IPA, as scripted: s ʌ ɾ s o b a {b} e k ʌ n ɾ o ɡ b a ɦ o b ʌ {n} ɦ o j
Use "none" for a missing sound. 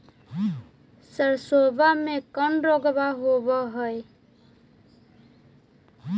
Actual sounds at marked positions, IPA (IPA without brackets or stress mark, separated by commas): m, none